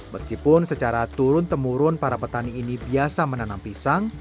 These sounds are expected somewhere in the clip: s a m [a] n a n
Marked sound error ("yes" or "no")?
yes